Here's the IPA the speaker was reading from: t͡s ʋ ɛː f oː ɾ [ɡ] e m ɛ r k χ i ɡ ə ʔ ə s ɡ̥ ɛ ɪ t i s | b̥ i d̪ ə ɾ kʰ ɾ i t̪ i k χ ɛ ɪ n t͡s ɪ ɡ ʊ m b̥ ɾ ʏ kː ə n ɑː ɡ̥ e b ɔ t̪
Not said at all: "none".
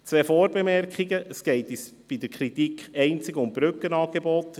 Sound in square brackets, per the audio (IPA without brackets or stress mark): b